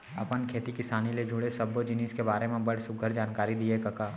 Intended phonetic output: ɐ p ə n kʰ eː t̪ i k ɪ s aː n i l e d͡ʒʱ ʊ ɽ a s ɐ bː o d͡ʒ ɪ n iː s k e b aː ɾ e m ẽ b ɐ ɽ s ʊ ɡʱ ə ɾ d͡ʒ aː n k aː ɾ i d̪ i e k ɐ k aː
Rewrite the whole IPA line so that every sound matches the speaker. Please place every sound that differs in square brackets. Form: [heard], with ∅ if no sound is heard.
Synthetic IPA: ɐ p ə n kʰ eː t̪ i k ɪ s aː n i l e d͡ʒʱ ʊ ɽ [e] s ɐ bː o d͡ʒ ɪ n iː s k e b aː ɾ e m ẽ b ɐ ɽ s ʊ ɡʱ ə ɾ d͡ʒ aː n k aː ɾ i d̪ i e k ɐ k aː